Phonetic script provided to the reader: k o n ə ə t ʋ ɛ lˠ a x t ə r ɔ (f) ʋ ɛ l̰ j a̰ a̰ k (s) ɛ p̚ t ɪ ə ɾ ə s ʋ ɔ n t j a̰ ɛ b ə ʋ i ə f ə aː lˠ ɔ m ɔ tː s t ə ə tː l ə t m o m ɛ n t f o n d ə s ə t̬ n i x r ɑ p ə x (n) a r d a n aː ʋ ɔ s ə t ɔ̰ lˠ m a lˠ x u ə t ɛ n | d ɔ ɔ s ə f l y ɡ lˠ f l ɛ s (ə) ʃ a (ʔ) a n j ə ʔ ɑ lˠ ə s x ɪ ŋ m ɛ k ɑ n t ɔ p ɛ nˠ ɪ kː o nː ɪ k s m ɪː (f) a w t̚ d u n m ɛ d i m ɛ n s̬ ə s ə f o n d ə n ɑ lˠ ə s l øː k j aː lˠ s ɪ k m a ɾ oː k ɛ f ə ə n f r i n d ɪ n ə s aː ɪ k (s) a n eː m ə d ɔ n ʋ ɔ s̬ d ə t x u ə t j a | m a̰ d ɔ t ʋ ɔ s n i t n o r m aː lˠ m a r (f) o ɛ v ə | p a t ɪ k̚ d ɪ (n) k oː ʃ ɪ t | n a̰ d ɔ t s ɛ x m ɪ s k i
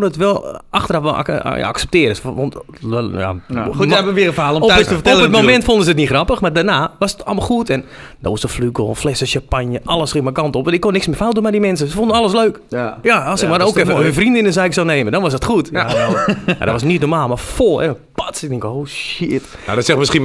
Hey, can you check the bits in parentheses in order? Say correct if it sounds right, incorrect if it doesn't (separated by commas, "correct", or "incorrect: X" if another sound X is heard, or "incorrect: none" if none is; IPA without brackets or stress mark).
correct, correct, incorrect: m, correct, incorrect: p, correct, correct, correct, incorrect: ŋ